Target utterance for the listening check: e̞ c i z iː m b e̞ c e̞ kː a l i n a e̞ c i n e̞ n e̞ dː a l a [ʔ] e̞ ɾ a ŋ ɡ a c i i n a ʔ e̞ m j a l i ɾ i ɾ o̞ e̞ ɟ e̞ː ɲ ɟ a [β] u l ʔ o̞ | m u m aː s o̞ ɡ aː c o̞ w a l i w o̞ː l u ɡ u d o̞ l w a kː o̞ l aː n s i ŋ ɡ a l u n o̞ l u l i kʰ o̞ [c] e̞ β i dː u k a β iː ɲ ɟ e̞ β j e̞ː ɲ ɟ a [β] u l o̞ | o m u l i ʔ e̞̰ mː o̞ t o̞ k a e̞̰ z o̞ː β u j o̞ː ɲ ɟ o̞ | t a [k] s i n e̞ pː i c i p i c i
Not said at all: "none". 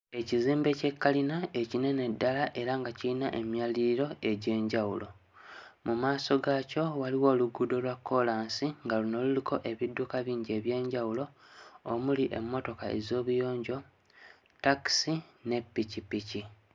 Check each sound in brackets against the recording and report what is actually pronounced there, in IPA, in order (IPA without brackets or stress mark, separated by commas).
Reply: ʔ, w, ʔ, w, k